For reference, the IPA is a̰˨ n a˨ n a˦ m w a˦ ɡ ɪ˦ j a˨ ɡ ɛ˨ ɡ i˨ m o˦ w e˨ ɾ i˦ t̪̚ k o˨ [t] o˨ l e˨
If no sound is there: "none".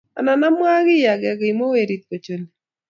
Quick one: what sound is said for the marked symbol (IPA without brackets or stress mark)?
t͡ʃ